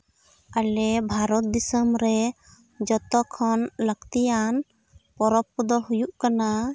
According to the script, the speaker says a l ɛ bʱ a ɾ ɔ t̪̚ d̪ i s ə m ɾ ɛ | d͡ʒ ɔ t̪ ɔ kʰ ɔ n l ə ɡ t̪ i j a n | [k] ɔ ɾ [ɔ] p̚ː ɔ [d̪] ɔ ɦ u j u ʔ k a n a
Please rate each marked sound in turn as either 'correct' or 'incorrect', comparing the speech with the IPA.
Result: incorrect: p, correct, correct

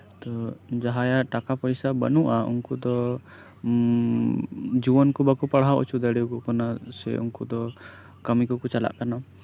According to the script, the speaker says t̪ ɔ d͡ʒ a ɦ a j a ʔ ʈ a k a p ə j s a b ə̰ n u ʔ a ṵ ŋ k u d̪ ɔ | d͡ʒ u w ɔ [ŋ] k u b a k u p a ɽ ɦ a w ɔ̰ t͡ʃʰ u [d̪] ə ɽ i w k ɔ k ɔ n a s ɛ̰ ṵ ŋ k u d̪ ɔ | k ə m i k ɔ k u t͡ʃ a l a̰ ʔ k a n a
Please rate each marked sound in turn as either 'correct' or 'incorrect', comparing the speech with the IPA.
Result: incorrect: n, correct

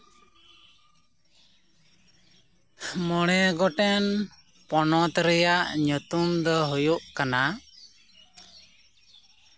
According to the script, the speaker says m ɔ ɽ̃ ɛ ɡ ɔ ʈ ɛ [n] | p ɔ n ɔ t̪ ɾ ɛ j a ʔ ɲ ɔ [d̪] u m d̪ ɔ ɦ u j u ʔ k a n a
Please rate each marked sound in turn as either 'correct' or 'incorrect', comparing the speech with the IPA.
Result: correct, incorrect: t̪

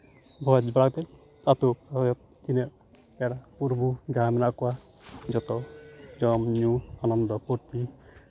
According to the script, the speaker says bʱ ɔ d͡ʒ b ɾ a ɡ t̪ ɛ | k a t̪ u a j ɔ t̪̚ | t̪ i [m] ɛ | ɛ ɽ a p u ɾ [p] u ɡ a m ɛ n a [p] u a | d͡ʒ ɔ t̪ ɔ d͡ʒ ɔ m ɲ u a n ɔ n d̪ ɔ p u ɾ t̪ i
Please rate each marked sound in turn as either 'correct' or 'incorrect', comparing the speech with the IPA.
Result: incorrect: n, incorrect: b, incorrect: k

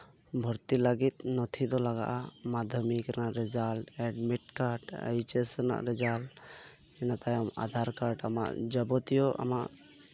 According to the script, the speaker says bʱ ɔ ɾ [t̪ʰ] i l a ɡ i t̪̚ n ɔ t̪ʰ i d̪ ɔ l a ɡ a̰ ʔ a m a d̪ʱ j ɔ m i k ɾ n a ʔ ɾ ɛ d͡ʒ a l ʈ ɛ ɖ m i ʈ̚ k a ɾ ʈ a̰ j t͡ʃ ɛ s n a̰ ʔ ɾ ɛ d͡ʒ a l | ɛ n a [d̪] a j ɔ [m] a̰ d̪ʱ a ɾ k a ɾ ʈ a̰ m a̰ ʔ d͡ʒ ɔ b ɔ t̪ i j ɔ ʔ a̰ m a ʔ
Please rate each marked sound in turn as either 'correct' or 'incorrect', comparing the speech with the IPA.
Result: incorrect: t̪, incorrect: t̪, correct

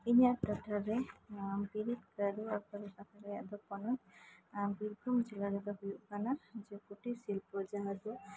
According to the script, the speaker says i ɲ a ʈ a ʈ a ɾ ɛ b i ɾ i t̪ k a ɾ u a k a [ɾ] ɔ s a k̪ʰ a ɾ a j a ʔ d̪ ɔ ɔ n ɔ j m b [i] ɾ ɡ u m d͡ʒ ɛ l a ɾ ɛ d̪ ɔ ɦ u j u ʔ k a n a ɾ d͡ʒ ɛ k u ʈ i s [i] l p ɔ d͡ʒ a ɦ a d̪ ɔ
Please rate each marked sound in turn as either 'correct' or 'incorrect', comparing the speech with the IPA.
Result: correct, correct, correct

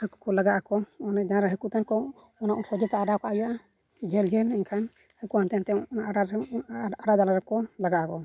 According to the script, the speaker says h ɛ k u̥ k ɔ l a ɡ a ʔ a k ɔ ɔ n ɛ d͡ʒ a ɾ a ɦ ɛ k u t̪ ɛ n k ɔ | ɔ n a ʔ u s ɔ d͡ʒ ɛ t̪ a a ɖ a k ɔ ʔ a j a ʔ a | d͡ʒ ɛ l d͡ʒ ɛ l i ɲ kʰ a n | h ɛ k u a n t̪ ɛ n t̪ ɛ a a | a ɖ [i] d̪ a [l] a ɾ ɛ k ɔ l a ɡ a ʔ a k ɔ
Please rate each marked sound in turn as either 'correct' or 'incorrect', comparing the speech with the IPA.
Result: incorrect: a, correct

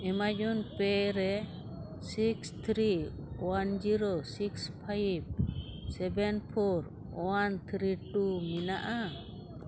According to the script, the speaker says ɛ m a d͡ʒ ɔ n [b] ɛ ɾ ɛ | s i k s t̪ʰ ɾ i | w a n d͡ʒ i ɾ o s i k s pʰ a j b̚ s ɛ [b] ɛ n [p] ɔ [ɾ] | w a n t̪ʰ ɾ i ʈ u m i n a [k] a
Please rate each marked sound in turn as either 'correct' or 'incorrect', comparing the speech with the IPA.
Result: incorrect: p, correct, incorrect: pʰ, correct, incorrect: ʔ

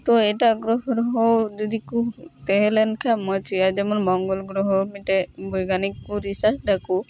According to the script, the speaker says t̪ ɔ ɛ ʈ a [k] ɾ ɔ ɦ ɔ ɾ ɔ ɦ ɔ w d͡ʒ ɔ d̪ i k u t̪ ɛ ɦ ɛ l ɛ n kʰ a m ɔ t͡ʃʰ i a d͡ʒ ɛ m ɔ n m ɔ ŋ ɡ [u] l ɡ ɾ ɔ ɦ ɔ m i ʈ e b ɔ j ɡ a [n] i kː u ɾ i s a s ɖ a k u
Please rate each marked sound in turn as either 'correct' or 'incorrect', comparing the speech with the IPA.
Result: incorrect: ɡ, incorrect: ɔ, correct

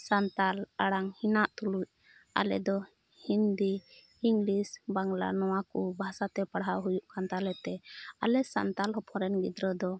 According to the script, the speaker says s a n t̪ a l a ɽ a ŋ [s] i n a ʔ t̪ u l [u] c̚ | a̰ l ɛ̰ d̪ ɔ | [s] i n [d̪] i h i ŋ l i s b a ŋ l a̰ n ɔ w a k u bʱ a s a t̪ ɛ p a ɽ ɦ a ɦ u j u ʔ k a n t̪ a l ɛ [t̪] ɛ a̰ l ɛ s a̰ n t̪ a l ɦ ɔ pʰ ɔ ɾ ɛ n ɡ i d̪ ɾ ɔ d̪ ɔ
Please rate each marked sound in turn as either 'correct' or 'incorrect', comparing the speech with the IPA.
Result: incorrect: h, correct, incorrect: h, correct, correct

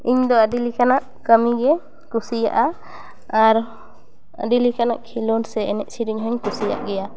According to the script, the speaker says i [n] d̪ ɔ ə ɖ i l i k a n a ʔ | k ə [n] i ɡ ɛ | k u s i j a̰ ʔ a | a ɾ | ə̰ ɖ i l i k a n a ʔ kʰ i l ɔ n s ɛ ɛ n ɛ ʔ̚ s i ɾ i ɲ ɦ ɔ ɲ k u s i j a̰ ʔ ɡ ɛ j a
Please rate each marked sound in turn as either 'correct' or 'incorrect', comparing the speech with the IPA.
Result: incorrect: ɲ, incorrect: m

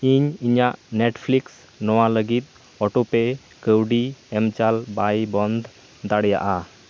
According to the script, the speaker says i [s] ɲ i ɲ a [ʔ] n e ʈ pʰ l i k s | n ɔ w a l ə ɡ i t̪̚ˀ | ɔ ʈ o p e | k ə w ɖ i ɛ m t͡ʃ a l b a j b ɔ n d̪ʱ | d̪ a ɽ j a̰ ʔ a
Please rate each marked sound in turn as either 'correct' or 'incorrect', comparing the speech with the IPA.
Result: incorrect: none, correct

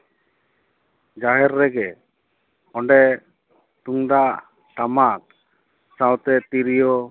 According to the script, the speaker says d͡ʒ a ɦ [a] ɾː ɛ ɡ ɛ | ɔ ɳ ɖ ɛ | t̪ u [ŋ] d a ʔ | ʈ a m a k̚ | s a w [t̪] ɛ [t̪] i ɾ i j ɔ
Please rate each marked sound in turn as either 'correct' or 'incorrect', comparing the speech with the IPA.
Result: incorrect: ɛ, correct, correct, correct

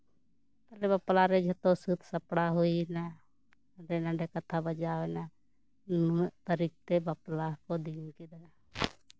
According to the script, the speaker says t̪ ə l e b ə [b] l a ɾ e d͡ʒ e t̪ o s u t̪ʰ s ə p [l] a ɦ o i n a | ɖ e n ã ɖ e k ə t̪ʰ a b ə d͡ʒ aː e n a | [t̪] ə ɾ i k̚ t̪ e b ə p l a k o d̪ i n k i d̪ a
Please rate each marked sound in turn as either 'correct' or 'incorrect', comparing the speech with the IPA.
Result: incorrect: p, incorrect: ɽ, correct

